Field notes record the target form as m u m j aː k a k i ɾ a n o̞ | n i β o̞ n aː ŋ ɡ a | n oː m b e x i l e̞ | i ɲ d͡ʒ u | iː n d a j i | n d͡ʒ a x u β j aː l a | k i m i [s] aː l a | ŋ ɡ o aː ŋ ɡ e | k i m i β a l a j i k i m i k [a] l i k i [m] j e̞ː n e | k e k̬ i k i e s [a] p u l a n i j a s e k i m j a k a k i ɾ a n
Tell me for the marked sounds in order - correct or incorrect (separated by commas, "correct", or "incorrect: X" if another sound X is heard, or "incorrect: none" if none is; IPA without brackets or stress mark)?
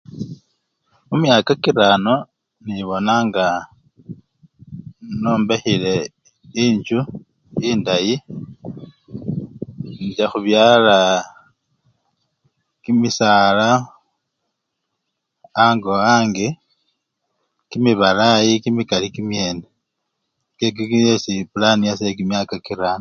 correct, correct, correct, incorrect: i